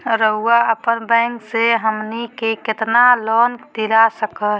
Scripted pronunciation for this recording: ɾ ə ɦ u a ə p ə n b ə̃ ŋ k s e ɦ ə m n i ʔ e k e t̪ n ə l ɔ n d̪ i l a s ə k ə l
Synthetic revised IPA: ɾ ə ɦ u a ə p ə n b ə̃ ŋ k s e ɦ ə m n i k e k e t̪ n a l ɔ n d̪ i l a s ə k ə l